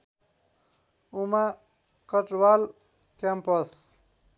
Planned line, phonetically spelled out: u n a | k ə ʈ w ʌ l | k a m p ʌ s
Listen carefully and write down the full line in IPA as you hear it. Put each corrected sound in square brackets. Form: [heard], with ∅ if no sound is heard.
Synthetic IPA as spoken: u [m] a | k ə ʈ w [a] l | k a m p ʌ s